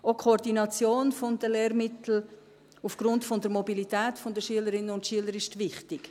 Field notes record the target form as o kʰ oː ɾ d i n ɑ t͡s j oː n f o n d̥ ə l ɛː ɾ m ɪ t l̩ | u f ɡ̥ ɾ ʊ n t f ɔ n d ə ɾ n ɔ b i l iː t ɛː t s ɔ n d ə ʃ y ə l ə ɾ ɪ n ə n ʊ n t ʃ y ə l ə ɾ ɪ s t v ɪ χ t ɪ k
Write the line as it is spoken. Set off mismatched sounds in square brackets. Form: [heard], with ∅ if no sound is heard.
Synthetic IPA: o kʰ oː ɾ d i n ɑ t͡s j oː n f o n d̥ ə l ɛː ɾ m ɪ t l̩ | u f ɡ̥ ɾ ʊ n t f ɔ n d ə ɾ [m] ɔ b i l [i] t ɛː t [f] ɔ n d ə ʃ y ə l ə ɾ ɪ n ə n ʊ n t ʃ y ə l ə ɾ ɪ [ʃ] t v ɪ χ t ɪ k